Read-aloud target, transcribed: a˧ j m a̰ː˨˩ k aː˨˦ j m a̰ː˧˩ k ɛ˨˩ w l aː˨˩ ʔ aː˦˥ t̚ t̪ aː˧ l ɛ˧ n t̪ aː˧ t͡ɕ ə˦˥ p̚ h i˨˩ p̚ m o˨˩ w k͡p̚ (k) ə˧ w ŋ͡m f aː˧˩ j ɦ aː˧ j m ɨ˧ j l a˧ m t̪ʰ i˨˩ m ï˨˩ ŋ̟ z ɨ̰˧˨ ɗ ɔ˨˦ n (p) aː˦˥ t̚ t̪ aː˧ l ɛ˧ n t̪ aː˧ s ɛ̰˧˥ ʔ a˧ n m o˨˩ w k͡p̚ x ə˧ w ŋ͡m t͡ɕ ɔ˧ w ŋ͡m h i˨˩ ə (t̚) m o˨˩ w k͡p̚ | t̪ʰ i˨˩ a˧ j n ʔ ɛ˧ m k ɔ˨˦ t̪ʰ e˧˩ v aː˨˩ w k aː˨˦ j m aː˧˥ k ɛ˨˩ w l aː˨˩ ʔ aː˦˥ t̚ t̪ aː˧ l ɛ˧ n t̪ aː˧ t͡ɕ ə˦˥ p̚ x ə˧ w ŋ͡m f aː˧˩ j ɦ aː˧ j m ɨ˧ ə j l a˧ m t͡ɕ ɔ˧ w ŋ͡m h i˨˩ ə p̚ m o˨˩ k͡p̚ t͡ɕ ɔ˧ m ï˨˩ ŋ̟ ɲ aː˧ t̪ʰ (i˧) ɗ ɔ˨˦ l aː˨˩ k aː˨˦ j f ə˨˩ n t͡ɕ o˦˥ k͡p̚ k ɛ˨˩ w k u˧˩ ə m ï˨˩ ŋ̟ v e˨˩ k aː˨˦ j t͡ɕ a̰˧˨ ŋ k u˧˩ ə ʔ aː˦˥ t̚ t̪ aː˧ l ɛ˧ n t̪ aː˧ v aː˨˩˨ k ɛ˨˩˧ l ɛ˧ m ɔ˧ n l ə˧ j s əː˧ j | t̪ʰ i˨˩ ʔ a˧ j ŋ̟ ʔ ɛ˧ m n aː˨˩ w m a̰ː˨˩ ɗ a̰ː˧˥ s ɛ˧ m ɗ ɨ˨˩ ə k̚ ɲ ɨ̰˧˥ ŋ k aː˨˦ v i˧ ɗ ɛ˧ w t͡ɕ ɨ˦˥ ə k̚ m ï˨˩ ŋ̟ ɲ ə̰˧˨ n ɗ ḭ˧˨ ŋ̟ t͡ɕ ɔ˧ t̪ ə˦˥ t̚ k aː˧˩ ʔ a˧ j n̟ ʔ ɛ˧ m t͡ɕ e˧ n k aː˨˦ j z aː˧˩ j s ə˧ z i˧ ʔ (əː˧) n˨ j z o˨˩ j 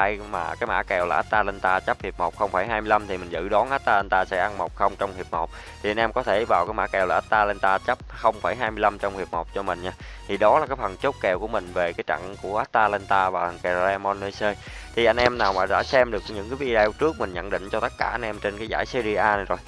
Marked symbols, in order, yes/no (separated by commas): no, no, no, no, no